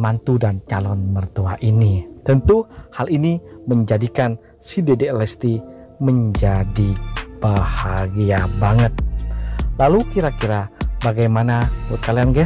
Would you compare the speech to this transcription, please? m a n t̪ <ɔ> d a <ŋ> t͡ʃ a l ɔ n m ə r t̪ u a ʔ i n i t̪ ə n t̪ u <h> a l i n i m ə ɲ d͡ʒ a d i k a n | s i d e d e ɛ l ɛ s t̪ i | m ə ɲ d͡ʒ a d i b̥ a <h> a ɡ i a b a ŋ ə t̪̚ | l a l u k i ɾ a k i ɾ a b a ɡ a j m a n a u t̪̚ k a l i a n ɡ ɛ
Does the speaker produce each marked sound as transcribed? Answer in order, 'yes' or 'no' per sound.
no, no, yes, yes

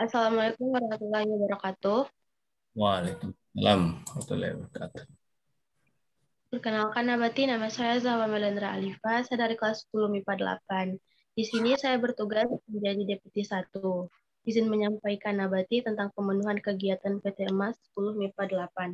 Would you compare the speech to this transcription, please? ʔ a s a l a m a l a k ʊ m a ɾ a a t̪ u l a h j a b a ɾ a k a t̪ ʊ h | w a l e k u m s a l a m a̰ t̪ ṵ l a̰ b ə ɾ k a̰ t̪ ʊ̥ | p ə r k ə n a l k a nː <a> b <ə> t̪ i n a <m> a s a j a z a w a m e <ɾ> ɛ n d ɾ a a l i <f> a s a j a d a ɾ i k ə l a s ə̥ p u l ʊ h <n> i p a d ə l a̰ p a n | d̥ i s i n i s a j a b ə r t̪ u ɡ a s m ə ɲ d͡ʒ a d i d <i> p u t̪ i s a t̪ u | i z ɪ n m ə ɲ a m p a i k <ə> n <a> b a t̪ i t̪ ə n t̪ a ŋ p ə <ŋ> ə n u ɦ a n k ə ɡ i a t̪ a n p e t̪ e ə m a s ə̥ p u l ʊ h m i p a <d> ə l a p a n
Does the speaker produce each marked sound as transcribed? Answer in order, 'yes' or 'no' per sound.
yes, no, yes, no, yes, no, no, no, yes, no, yes

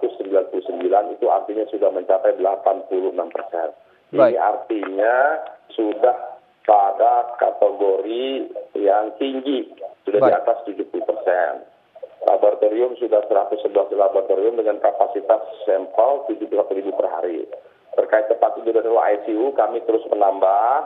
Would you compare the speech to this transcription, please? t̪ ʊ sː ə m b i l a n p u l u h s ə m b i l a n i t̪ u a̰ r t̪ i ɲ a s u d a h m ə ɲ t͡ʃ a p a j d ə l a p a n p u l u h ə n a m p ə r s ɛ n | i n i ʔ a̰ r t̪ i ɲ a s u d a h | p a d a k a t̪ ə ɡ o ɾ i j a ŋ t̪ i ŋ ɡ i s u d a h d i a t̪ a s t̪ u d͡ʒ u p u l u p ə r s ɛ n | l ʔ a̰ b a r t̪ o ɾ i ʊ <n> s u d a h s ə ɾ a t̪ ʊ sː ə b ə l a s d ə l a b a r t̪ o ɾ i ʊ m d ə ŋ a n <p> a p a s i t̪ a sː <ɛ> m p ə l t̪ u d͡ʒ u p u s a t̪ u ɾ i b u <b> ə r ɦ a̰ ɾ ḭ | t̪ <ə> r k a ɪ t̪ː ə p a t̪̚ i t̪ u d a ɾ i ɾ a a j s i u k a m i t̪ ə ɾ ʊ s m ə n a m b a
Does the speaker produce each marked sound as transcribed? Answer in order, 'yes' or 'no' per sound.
no, no, yes, no, yes

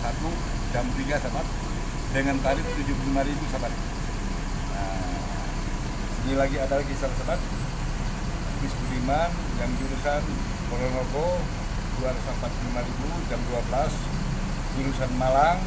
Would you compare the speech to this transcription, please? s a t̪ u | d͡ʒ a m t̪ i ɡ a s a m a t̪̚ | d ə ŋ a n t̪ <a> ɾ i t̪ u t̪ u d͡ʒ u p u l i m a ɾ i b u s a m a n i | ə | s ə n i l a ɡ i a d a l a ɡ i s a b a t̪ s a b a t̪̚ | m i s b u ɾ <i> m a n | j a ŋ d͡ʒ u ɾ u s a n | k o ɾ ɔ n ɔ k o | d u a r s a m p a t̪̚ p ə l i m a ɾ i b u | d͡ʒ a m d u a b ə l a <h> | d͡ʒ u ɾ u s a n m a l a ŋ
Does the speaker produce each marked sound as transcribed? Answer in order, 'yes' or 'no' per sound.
yes, yes, no

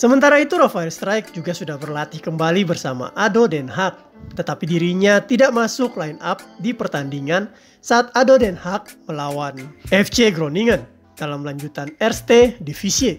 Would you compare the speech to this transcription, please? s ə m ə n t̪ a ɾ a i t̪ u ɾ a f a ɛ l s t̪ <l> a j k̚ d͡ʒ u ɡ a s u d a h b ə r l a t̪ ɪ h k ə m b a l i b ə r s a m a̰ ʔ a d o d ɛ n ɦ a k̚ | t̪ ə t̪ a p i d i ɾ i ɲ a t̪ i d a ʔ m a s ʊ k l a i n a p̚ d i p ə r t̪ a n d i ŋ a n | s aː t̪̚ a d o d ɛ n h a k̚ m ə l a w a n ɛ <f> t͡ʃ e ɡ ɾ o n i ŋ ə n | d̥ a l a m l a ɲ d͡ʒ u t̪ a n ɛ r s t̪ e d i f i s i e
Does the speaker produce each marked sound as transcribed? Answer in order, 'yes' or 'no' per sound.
no, yes

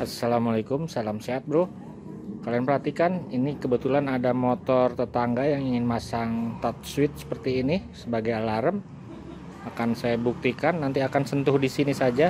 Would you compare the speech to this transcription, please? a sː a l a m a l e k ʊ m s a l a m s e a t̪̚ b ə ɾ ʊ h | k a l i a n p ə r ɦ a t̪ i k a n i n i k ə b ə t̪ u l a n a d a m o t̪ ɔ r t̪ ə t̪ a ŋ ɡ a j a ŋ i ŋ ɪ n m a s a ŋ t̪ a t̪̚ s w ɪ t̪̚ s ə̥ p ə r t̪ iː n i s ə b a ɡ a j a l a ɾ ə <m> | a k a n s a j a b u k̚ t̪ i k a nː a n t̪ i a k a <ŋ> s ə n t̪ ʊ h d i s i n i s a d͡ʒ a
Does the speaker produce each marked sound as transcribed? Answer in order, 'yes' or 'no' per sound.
yes, no

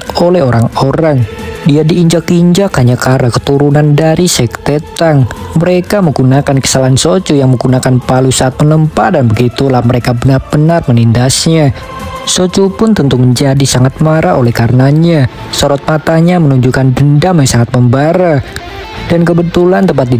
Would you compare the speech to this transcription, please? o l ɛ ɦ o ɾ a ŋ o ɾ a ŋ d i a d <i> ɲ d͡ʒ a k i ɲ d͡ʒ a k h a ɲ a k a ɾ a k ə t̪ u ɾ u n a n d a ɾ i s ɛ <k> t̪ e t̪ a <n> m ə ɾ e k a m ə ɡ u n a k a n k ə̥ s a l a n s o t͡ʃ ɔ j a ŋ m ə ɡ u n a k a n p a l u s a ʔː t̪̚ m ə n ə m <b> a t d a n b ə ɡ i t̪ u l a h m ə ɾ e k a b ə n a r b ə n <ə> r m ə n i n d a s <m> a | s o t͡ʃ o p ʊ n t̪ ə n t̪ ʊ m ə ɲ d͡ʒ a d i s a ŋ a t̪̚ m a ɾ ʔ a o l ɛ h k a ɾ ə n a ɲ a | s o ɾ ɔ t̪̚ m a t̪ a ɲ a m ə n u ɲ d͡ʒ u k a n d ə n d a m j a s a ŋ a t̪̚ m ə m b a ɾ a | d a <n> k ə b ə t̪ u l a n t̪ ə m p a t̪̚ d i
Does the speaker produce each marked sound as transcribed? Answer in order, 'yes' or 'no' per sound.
no, yes, no, no, no, no, yes

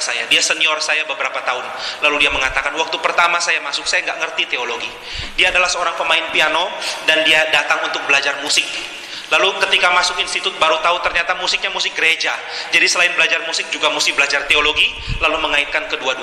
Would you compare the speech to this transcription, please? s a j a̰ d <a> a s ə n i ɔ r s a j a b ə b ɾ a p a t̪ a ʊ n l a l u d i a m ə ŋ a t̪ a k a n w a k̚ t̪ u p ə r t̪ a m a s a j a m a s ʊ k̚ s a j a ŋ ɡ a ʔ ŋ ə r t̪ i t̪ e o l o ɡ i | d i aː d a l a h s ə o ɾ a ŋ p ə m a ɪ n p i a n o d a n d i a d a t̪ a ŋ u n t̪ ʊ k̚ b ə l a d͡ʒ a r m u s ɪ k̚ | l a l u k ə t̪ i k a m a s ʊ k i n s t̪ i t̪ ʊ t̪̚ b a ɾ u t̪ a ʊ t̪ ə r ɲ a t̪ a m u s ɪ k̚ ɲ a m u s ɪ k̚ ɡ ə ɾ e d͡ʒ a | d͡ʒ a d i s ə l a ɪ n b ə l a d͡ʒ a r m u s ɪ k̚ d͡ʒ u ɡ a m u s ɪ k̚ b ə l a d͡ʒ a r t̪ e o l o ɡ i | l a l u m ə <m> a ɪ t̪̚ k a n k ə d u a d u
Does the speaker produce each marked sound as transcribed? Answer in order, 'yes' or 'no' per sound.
no, no

